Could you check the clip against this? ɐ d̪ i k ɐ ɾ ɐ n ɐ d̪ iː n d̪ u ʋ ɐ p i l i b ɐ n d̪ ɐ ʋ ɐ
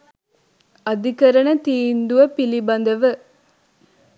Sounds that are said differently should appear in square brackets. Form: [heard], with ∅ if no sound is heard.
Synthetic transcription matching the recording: ɐ d̪ i k ɐ ɾ ɐ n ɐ [t̪] iː n d̪ u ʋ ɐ p i l i b ɐ n d̪ ɐ ʋ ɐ